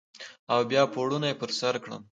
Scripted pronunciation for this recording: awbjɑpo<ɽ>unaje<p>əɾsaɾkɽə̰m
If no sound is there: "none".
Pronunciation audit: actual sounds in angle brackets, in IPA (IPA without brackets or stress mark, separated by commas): ɽ, p